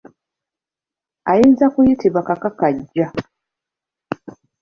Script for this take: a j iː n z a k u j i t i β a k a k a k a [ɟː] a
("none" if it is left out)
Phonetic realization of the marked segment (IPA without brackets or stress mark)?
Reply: ɟː